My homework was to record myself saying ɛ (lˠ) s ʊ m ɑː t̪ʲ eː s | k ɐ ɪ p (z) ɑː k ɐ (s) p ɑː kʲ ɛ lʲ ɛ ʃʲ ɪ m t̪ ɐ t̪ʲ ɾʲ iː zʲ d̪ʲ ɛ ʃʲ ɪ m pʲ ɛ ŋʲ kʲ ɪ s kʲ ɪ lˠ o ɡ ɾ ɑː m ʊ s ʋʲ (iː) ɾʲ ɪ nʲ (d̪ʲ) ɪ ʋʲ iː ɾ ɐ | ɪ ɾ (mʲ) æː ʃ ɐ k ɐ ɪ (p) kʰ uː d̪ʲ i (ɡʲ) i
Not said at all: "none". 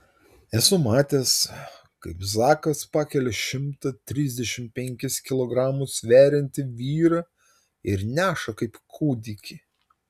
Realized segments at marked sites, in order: none, z, s, æː, t̪ʲ, nʲ, p, kʲ

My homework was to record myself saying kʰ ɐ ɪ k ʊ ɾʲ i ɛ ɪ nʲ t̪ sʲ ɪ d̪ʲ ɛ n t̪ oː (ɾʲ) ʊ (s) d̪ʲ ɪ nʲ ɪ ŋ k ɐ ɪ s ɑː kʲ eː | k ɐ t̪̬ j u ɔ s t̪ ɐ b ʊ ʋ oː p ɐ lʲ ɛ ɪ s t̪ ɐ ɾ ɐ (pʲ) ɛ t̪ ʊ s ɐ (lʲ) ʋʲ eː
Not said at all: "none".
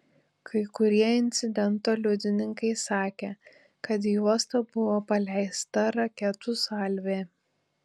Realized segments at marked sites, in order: lʲ, none, kʲ, lʲ

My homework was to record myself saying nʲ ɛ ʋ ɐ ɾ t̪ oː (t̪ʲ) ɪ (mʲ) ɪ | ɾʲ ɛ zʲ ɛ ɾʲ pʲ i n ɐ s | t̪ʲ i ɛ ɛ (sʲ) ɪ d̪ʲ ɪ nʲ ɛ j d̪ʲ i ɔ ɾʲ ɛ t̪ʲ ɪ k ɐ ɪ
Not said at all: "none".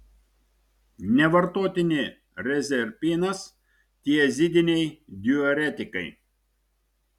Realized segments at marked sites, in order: t̪ʲ, nʲ, zʲ

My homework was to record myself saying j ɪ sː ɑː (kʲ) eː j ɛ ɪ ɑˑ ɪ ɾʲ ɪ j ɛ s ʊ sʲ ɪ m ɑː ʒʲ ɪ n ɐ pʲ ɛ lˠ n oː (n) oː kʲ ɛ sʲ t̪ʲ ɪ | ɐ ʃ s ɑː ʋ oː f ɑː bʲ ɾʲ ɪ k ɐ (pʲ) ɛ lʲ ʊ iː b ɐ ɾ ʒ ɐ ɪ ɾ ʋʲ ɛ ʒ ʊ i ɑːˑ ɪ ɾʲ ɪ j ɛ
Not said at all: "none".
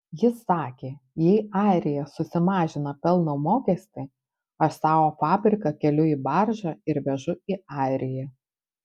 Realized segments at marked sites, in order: kʲ, m, kʲ

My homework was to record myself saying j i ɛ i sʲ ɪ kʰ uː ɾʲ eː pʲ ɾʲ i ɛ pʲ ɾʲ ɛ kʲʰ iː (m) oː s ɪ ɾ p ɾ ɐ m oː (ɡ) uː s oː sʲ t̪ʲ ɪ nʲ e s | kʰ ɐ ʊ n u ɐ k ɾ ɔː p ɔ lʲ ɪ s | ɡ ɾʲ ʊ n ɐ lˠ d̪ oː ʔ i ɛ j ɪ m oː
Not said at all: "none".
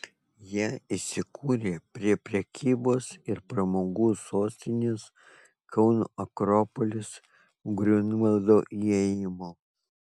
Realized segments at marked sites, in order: b, ɡ

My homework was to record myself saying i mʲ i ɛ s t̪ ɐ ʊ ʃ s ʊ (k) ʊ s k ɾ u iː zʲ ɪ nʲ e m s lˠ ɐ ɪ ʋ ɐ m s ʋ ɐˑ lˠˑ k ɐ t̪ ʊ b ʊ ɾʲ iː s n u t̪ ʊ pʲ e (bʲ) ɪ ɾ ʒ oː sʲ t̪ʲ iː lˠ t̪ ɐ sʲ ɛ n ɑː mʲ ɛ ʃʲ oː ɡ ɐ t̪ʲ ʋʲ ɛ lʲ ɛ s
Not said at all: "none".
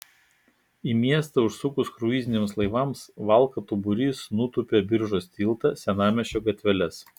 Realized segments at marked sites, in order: k, bʲ

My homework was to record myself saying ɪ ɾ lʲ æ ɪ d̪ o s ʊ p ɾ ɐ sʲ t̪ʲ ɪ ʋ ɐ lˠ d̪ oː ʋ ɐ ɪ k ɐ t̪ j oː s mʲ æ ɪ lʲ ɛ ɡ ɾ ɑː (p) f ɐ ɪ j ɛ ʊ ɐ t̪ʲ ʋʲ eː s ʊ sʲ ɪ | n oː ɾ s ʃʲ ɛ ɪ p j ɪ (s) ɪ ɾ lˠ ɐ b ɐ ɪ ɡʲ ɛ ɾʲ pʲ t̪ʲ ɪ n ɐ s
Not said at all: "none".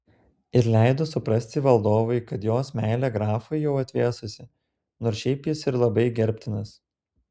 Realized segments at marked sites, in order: none, s

